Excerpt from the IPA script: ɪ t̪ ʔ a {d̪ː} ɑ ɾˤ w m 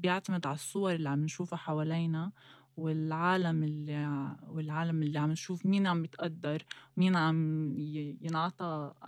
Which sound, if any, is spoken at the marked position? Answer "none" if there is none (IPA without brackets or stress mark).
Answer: d̪ː